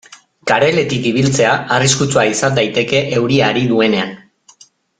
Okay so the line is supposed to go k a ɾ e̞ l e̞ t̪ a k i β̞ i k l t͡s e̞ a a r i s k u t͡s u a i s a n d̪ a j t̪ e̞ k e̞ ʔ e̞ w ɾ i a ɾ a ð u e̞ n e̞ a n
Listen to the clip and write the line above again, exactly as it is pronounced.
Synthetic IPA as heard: k a ɾ e̞ l e̞ t̪ i k i β̞ i l t͡s e̞ a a r i s k u t͡s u a i s a n d̪ a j t̪ e̞ k e̞ ʔ e̞ w ɾ i a ɾ i ð u e̞ n e̞ a n